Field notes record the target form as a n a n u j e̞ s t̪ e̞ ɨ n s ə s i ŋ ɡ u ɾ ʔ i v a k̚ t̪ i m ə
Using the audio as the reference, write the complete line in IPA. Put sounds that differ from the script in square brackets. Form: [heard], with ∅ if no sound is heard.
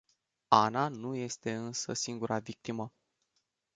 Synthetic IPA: a n a n u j e̞ s t̪ e̞ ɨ n s ə s i ŋ ɡ u ɾ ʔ [a] v [i] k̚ t̪ i m ə